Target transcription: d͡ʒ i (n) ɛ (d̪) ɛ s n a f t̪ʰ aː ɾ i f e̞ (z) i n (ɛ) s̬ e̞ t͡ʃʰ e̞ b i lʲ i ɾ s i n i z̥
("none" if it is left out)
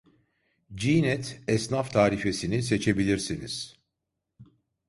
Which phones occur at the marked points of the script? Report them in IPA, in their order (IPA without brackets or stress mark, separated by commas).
n, t̪, s, i